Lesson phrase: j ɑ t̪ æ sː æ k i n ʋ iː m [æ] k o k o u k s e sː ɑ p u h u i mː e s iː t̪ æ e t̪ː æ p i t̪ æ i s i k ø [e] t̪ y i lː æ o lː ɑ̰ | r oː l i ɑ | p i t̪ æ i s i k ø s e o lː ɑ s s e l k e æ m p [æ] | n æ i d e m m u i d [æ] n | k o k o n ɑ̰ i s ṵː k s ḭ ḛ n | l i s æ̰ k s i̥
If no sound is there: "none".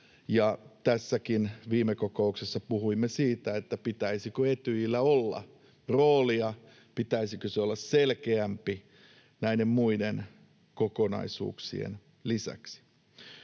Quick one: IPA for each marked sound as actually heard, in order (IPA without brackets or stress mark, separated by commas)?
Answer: e, e, i, e